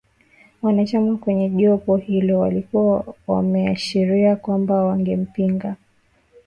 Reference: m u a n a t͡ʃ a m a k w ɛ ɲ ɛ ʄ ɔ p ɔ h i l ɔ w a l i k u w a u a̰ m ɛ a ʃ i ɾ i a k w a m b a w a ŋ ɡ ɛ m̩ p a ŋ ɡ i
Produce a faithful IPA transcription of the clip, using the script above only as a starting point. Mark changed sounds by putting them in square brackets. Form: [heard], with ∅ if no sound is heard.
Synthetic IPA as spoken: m [w] a n a t͡ʃ a m a k w ɛ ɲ ɛ ʄ ɔ p ɔ h i l ɔ w a l i k u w a [w] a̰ m ɛ a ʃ i ɾ i a k w a m b a w a ŋ ɡ ɛ m̩ p [i] ŋ ɡ [a]